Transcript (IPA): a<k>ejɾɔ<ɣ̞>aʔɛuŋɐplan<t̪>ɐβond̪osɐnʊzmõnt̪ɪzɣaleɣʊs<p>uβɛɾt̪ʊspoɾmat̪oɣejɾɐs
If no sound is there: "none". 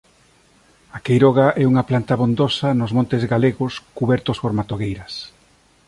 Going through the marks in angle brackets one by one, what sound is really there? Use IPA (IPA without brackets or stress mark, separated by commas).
k, ɣ̞, t̪, k